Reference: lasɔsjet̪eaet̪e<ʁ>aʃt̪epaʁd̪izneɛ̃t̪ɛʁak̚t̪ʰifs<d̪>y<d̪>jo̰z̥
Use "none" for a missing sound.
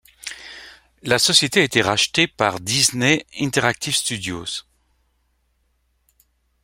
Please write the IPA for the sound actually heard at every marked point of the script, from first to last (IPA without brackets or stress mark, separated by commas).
ʁ, t̪, d̪